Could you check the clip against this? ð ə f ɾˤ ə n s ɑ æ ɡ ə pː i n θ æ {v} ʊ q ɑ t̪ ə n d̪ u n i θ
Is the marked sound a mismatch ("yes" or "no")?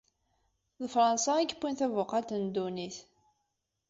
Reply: no